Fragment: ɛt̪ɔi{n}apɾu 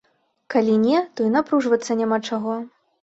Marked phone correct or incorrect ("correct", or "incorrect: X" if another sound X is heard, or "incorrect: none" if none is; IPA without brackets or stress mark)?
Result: correct